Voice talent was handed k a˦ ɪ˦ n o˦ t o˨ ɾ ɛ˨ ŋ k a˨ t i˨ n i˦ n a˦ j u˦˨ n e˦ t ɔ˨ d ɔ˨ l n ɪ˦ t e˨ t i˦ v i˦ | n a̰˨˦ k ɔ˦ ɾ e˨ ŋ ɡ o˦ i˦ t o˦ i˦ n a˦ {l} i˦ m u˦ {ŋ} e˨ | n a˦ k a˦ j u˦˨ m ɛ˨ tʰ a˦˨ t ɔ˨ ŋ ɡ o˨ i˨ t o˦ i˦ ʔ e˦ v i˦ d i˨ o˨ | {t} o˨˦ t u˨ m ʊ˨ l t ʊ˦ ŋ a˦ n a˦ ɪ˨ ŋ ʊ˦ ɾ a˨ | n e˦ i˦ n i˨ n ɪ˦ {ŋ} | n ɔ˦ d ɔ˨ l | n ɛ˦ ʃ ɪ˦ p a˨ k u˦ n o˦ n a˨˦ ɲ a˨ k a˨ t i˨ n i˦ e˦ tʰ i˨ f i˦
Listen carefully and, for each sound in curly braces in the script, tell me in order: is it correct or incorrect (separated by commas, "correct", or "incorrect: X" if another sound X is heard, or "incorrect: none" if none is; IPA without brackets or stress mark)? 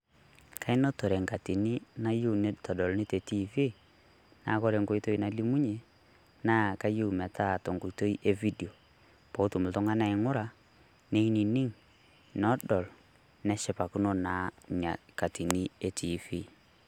correct, incorrect: ɲ, incorrect: p, correct